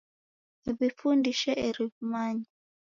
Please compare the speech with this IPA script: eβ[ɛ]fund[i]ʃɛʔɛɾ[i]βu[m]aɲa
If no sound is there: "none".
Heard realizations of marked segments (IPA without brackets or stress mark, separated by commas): i, i, i, m